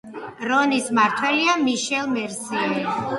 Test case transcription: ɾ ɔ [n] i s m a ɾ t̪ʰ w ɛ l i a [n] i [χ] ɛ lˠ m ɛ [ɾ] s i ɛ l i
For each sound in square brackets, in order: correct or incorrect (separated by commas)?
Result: correct, incorrect, incorrect, correct